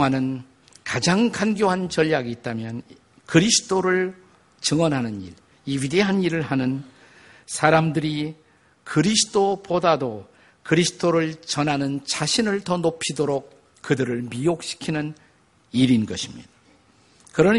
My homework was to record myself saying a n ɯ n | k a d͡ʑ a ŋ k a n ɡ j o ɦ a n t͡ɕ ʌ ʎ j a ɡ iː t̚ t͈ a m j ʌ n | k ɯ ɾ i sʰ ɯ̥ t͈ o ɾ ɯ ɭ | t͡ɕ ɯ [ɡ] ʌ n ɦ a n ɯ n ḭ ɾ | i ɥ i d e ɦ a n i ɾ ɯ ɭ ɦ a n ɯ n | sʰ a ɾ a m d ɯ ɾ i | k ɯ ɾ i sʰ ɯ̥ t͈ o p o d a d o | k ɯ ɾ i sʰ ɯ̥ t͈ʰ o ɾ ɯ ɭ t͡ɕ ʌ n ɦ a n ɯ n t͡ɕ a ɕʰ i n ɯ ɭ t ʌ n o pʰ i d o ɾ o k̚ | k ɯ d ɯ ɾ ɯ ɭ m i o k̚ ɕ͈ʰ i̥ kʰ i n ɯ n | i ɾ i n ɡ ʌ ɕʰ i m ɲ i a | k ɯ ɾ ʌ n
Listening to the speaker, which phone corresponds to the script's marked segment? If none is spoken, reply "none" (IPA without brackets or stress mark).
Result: ŋ